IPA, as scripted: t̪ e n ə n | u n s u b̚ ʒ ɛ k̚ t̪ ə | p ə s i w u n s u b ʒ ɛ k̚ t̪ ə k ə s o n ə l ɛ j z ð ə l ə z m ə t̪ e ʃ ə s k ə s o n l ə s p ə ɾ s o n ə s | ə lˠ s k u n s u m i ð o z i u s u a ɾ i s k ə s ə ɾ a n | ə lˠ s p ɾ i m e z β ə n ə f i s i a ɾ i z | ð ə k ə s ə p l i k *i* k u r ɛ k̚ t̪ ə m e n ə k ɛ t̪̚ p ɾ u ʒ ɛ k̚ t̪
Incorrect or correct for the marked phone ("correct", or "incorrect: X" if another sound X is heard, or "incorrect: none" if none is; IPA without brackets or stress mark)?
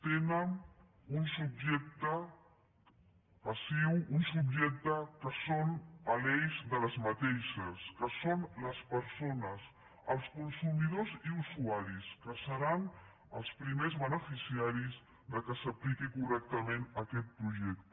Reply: correct